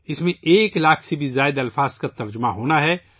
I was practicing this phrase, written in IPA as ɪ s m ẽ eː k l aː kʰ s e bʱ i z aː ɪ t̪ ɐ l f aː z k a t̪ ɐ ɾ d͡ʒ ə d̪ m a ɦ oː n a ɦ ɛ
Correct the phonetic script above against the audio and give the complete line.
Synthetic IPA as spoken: ɪ s m ẽ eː k l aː kʰ s e bʱ i z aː ɪ d̪ ɐ l f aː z k a t̪ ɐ ɾ d͡ʒ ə m a ɦ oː n a ɦ ɛ